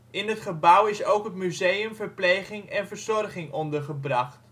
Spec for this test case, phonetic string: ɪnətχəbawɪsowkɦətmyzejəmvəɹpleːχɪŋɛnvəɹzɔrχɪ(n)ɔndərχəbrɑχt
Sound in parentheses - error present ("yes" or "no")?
yes